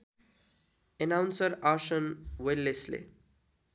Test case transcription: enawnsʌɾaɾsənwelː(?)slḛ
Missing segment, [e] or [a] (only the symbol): e